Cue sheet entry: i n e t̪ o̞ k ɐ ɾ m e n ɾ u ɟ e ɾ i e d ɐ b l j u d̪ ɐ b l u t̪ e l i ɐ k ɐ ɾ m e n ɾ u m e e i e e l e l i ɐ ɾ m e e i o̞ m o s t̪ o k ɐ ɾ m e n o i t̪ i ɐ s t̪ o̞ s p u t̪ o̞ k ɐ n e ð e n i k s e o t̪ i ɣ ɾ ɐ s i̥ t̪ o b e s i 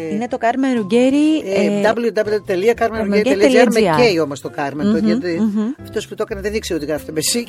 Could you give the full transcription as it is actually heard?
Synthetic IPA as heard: i n e t̪ o̞ k ɐ ɾ m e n ɾ u ɟ e ɾ i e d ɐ b l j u d̪ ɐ b l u t̪ e l i ɐ k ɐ ɾ m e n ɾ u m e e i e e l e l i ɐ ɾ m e e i o̞ m o s t̪ o k ɐ ɾ m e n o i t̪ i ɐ f t̪ o̞ s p u t̪ o̞ k ɐ n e ð e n i k s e o t̪ i ɣ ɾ ɐ f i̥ t̪ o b e s i